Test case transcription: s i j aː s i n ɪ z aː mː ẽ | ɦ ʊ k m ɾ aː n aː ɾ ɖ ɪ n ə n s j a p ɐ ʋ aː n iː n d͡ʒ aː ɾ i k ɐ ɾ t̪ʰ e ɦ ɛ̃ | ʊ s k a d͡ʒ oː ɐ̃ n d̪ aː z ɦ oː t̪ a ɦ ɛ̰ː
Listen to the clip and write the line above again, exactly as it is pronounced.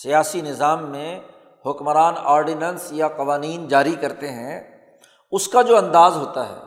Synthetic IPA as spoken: s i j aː s i n ɪ z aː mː ẽ | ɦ ʊ k m ɾ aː n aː ɾ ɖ ɪ n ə n s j a q ɐ ʋ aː n iː n d͡ʒ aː ɾ i k ɐ ɾ t̪ e ɦ ɛ̃ | ʊ s k a d͡ʒ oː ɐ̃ n d̪ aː z ɦ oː t̪ a ɦ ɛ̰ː